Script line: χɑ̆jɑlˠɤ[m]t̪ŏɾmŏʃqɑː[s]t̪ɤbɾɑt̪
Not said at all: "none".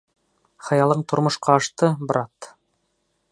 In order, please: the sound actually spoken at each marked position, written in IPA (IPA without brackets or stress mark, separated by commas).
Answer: ɴ, ʃ